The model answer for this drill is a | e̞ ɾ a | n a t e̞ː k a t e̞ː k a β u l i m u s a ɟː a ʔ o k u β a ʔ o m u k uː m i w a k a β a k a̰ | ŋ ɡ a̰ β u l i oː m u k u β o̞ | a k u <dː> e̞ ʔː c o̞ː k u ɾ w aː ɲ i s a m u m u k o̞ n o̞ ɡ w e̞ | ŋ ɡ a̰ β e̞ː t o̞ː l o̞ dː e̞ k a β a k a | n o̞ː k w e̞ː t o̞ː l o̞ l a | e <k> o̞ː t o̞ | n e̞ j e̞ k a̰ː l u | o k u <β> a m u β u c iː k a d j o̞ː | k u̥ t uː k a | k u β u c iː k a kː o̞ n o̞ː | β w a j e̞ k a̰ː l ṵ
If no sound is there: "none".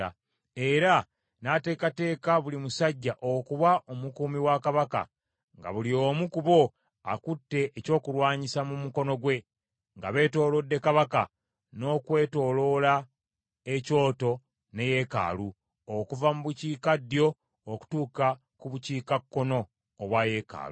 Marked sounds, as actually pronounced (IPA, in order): tː, c, v

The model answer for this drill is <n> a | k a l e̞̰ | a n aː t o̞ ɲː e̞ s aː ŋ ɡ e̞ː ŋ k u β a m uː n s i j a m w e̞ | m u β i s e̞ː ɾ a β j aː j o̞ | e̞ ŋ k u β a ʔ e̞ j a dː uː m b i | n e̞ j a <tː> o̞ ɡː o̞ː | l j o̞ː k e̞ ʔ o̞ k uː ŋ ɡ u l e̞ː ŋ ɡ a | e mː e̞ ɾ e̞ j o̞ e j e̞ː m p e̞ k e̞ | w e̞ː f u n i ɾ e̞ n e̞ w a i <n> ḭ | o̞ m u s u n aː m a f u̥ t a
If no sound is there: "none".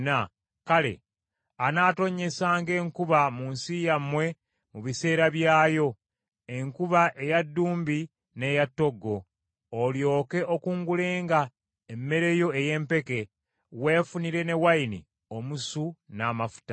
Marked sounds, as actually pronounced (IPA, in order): n, tː, n

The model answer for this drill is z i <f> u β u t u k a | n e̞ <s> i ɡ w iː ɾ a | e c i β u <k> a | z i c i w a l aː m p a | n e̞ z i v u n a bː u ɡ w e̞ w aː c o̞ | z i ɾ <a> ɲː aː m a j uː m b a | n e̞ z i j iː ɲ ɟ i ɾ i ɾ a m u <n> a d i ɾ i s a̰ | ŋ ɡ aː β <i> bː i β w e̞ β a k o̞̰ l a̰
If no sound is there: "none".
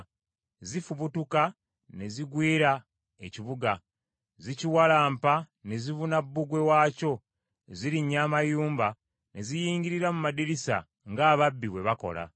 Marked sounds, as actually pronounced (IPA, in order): f, z, ɡ, i, m, a

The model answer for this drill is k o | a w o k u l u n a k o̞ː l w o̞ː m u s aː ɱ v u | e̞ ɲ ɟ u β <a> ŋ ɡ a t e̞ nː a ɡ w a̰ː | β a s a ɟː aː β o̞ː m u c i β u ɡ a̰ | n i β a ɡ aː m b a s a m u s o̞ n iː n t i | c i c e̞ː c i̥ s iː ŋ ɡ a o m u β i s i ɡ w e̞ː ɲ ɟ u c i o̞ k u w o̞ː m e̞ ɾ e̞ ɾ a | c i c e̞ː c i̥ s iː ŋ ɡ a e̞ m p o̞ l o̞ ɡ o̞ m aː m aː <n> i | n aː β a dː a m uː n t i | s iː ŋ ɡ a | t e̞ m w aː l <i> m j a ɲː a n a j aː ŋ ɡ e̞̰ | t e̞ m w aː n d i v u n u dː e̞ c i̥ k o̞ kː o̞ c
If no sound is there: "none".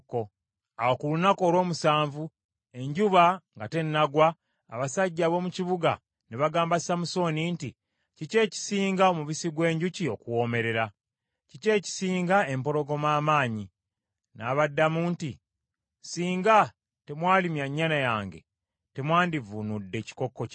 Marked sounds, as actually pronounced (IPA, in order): a, ɲ, i

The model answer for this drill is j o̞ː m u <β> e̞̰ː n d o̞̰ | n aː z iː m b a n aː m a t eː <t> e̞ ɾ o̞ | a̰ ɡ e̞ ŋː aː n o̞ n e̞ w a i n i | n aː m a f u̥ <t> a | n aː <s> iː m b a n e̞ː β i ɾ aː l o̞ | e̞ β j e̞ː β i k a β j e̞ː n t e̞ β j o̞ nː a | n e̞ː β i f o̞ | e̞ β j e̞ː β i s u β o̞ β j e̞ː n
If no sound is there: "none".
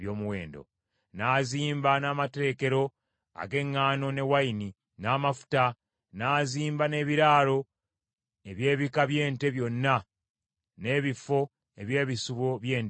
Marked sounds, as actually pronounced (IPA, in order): w, k, t, z

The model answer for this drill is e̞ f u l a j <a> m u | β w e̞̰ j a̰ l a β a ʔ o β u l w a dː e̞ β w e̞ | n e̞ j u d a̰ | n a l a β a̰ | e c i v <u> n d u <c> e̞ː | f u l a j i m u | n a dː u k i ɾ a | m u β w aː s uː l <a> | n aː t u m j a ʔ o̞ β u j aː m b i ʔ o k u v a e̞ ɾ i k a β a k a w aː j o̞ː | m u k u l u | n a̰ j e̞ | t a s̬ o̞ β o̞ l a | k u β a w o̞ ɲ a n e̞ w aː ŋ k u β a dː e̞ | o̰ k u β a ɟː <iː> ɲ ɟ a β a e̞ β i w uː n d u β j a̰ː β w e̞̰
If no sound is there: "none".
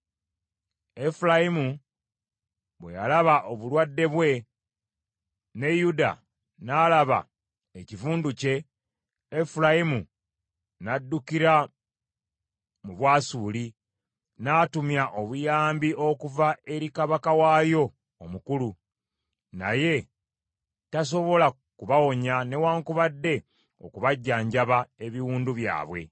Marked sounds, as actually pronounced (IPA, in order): i, uː, c, i, aː

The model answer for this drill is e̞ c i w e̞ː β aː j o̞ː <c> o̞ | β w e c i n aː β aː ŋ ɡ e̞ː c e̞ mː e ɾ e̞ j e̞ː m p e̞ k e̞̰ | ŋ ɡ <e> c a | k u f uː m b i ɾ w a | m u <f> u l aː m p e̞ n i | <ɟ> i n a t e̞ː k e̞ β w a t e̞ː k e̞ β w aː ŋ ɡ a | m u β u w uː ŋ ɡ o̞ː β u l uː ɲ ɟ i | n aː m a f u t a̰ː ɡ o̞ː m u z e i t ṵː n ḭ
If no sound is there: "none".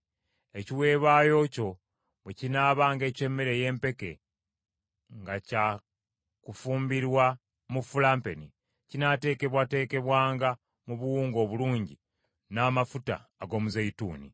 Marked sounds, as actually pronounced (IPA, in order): c, a, f, c

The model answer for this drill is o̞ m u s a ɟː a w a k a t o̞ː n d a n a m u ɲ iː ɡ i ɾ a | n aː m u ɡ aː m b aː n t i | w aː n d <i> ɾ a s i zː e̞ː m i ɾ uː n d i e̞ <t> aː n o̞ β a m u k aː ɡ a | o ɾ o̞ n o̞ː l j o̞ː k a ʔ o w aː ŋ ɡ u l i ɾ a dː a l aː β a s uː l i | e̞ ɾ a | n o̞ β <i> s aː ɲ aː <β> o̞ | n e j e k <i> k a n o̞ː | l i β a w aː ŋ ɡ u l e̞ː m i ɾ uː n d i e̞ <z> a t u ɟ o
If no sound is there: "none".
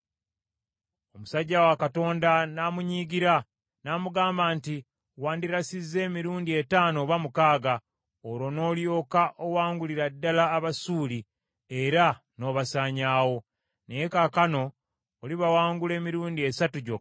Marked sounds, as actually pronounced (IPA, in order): i, t, a, w, a, s

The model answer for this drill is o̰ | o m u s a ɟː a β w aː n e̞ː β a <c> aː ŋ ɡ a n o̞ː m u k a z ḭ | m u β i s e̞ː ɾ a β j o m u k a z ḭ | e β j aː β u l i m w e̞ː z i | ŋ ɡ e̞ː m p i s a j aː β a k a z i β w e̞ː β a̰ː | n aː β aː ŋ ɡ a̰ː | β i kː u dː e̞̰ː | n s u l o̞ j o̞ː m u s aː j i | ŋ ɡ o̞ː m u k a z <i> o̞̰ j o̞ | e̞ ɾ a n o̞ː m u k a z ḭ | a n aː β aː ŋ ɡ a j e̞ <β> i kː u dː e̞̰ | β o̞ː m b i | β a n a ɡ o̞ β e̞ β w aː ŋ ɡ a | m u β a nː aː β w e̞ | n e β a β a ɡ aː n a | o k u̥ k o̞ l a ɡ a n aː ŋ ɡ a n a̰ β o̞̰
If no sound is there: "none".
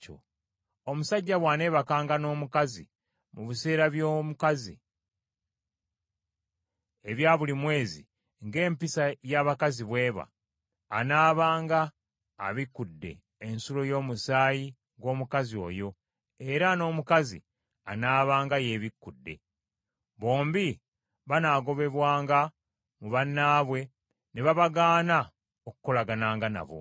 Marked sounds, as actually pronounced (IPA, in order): k, i, β

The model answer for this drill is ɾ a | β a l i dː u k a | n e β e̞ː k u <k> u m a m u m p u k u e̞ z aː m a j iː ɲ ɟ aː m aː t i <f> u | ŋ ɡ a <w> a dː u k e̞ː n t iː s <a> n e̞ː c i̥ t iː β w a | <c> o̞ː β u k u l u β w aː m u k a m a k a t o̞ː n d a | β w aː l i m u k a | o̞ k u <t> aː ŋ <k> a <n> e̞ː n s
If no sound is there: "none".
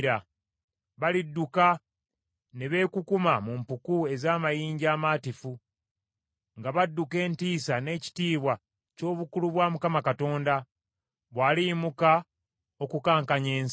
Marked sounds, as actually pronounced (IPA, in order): k, f, β, a, c, k, k, ɲ

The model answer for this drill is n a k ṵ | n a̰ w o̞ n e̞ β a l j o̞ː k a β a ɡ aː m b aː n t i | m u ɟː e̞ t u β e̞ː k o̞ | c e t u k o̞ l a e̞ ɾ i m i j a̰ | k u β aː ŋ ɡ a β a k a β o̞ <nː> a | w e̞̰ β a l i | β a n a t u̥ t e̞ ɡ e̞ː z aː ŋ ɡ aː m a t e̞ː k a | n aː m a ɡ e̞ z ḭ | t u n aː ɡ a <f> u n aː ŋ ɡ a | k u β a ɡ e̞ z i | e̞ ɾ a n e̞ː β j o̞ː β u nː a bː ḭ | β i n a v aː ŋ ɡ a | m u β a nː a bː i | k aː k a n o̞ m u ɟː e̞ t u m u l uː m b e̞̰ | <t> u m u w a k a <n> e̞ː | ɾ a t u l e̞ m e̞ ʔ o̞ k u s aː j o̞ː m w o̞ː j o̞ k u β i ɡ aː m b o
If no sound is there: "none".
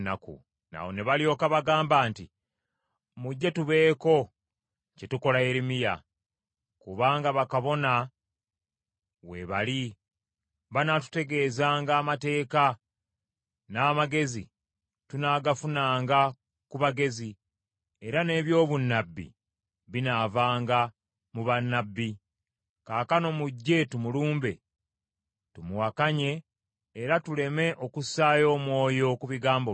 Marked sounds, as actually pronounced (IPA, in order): n, f, t, ɲ

